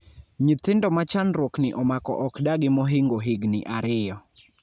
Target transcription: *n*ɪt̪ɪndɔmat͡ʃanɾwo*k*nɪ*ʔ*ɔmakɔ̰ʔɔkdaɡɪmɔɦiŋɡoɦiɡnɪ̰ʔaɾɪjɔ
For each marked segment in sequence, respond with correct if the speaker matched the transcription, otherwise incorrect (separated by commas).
incorrect, correct, correct